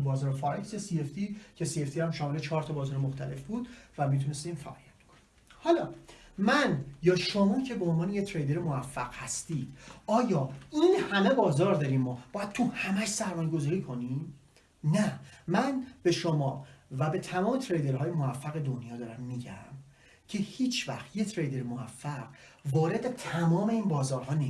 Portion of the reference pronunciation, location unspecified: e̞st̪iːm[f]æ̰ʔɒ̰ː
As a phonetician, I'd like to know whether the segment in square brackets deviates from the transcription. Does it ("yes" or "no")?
no